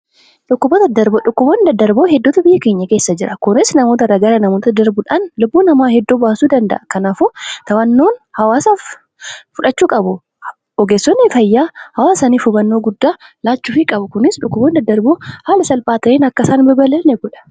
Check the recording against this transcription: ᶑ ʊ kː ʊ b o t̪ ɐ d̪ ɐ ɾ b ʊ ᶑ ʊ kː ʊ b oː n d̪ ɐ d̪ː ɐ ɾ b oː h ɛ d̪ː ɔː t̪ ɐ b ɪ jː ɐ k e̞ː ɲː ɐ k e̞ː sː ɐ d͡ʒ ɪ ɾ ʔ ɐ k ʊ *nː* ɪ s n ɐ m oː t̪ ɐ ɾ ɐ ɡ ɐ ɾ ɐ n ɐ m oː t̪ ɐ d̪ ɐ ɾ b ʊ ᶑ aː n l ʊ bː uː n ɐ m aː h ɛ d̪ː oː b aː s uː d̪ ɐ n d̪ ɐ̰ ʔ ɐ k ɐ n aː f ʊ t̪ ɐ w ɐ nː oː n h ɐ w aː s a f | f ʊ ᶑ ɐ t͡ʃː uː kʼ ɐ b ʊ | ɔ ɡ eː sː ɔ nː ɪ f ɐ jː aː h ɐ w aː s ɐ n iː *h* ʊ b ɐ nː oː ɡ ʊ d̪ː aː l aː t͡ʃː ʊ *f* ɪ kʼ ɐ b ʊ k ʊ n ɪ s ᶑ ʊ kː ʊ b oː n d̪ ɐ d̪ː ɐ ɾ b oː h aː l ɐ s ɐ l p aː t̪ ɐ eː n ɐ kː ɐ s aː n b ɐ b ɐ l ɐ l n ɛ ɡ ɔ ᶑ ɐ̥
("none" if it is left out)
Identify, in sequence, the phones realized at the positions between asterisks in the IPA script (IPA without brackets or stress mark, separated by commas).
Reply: n, f, f